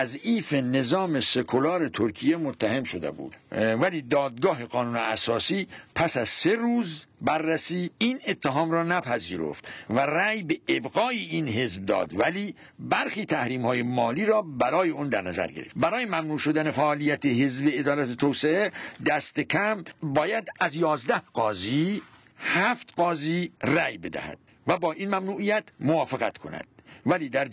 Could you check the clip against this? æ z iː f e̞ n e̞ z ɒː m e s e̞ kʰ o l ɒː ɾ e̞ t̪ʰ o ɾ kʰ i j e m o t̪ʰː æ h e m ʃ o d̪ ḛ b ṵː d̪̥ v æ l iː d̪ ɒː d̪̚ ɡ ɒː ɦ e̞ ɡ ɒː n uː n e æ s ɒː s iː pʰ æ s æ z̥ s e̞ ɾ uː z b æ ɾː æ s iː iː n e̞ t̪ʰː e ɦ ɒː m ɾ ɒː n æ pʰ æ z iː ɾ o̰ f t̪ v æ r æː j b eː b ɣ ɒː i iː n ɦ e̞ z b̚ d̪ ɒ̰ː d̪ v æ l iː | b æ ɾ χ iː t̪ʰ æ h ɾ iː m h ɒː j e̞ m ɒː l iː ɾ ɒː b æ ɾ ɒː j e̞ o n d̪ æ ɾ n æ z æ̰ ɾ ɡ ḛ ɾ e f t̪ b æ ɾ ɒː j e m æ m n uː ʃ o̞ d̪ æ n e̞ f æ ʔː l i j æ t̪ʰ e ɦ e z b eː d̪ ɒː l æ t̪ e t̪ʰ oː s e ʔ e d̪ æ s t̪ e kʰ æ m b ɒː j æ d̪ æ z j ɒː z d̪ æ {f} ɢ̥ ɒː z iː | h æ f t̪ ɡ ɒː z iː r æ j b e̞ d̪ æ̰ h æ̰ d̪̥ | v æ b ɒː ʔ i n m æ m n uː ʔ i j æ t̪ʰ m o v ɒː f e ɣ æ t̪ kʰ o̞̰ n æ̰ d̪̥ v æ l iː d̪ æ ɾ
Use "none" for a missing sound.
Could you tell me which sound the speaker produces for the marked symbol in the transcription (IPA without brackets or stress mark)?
h